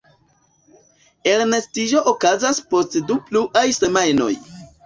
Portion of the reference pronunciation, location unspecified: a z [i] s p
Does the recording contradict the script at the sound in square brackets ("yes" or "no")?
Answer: yes